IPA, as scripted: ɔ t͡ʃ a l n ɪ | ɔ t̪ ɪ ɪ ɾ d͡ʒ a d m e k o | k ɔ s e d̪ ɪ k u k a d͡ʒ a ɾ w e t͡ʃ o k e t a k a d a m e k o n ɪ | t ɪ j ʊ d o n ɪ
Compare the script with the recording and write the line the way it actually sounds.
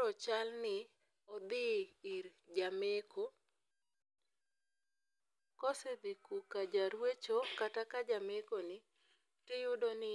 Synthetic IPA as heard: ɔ t͡ʃ a l n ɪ | ɔ d̪ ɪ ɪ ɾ d͡ʒ a m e k o | k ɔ s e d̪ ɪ k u k a d͡ʒ a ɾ w e t͡ʃ o k a t a k a d͡ʒ a m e k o n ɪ | t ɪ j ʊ d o n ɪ